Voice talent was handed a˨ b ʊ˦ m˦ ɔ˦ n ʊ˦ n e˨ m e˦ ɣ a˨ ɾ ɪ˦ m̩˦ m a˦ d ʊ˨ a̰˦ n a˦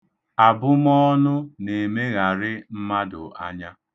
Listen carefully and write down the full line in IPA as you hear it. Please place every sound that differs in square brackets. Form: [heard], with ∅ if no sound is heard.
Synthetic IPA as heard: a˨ b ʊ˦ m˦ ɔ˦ n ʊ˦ n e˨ m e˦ ɣ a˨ ɾ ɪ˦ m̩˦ m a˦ d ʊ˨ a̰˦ [ɲ] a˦